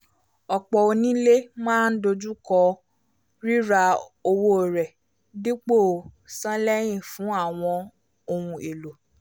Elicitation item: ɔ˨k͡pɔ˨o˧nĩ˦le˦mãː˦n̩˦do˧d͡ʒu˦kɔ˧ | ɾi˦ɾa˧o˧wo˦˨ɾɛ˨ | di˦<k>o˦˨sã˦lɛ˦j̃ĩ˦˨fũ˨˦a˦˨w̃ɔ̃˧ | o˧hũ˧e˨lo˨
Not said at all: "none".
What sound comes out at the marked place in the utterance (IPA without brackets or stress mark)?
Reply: k͡p